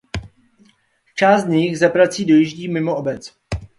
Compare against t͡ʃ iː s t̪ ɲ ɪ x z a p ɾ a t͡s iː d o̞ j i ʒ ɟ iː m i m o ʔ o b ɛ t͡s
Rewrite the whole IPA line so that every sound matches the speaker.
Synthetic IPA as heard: t͡ʃ aː s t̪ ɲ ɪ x z a p ɾ a t͡s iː d o̞ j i ʒ ɟ iː m ɪ m o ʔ o b ɛ t͡s